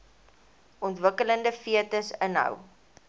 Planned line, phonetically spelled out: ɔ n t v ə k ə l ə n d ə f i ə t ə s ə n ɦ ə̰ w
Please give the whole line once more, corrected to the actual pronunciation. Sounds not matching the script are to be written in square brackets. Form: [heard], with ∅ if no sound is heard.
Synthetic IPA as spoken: ɔ n t v ə k ə l ə n d ə f i ə t ə s ə n ɦ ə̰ w